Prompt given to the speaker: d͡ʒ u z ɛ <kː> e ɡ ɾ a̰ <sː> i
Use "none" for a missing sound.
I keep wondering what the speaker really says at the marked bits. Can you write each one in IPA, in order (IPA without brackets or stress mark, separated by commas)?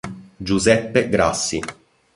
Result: pː, sː